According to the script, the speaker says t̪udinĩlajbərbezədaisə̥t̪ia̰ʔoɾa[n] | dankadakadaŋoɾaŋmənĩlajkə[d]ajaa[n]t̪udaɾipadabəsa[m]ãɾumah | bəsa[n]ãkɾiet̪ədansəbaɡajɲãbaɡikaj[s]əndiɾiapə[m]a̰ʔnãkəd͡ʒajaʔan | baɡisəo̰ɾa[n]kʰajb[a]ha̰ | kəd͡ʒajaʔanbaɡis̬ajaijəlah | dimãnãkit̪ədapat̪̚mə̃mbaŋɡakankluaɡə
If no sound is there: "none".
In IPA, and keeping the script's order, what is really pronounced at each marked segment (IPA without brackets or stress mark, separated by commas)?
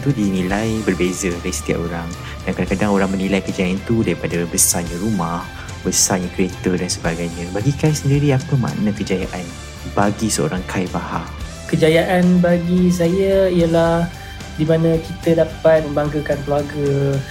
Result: ŋ, d͡ʒ, n, ɲ, ɲ, s, m, ŋ, a